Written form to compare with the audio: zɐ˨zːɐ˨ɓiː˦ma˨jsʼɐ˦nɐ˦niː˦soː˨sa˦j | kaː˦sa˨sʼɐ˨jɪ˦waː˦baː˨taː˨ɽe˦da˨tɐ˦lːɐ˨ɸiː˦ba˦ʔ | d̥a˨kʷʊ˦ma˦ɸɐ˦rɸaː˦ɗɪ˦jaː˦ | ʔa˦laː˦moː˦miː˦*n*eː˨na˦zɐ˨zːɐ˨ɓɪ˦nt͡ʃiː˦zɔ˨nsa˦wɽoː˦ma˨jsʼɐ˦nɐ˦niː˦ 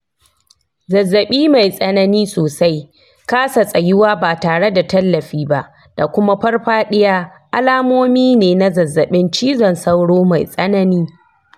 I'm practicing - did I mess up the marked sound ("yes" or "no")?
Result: no